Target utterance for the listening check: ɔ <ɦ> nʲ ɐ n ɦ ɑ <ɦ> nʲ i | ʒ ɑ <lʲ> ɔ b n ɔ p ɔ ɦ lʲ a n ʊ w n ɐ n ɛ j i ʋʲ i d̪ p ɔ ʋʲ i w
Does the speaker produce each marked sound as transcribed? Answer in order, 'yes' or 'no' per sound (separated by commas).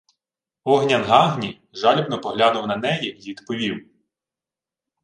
yes, yes, yes